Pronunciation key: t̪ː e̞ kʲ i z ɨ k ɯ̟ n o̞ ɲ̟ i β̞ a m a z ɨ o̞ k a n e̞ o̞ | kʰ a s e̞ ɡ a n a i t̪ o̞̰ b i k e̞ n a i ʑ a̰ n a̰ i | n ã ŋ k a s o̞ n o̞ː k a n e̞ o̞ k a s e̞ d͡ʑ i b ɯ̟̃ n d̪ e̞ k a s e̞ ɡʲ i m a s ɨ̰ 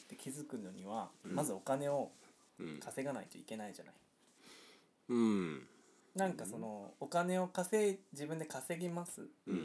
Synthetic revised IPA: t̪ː e̞ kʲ i z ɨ k ɯ̟ n o̞ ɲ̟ i β̞ a m a z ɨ o̞ k a n e̞ o̞ | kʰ a s e̞ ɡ a n a i t̪ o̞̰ i k e̞ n a i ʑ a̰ n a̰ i | n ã ŋ k a s o̞ n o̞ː k a n e̞ o̞ k a s e̞ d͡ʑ i b ɯ̟̃ n d̪ e̞ k a s e̞ ɡʲ i m a s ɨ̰